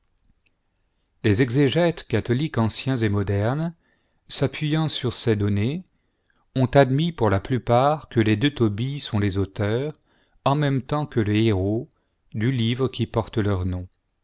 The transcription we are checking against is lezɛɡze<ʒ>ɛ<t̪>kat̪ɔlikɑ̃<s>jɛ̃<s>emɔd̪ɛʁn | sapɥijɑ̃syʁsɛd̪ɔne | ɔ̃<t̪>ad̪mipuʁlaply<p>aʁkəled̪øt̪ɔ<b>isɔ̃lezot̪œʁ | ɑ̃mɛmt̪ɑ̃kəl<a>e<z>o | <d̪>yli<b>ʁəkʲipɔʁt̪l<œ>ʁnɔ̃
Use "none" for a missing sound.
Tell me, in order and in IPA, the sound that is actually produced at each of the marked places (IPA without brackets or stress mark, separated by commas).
ʒ, t̪, s, z, t̪, p, b, ə, ʁ, d̪, v, œ